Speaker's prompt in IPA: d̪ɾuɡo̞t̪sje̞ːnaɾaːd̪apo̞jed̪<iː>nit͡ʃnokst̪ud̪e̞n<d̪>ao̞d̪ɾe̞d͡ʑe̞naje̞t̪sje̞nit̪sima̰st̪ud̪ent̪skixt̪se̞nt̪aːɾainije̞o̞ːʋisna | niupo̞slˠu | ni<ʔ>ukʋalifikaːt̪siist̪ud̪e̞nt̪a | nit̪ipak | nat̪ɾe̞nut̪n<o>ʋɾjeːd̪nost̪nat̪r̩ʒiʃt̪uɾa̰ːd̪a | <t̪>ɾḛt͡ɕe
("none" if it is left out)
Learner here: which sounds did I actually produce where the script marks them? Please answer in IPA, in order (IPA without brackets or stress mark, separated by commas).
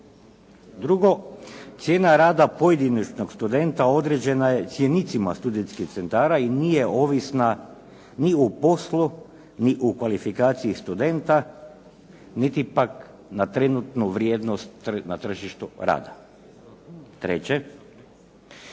i, t̪, ʔ, u, t̪